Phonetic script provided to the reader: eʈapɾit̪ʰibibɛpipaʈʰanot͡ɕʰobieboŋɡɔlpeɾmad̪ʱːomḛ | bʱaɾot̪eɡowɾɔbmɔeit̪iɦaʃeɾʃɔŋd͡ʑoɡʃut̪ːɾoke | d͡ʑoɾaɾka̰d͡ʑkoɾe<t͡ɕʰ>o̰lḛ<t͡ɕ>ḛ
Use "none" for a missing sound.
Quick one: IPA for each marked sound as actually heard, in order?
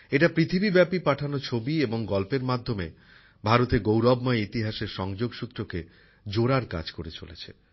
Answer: t͡ɕ, t͡ɕʰ

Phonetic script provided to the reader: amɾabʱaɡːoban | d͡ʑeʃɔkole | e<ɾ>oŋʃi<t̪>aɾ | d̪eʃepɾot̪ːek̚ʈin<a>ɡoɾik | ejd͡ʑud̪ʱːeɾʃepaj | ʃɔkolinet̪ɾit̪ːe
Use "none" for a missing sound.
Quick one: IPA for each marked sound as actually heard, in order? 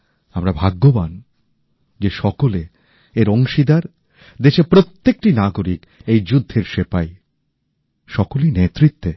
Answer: ɾ, d̪, a

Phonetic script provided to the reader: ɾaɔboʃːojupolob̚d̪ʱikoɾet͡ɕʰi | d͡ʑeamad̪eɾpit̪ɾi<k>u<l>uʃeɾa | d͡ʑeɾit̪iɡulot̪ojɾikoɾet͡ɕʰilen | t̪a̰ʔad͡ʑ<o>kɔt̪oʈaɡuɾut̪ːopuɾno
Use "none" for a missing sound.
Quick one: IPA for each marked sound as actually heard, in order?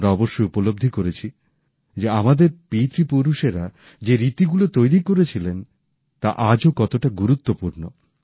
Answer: p, ɾ, o

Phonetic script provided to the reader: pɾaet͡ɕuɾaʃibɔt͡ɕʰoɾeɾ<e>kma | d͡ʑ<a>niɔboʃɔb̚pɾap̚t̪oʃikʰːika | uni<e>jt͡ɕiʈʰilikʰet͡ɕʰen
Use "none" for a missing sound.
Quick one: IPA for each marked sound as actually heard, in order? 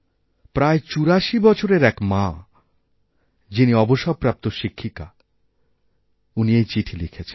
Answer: ɛ, i, e

